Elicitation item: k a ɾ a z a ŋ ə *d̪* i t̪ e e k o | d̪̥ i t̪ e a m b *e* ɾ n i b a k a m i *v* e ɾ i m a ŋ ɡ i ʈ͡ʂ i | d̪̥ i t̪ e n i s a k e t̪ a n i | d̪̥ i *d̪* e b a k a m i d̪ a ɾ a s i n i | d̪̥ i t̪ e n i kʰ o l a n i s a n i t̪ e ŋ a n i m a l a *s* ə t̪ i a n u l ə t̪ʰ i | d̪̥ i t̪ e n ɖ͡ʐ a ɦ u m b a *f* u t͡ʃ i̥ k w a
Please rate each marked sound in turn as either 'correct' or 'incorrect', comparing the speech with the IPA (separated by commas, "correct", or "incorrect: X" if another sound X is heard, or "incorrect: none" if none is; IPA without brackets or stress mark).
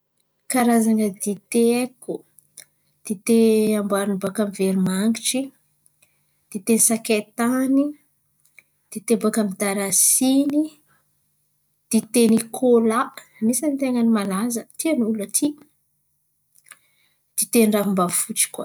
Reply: correct, incorrect: a, correct, incorrect: t̪, incorrect: z, correct